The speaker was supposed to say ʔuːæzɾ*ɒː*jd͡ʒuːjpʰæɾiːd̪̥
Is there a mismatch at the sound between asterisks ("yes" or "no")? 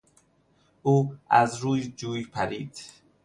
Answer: yes